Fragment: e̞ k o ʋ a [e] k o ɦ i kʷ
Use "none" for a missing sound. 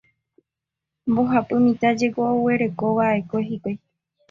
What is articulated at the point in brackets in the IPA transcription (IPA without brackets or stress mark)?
e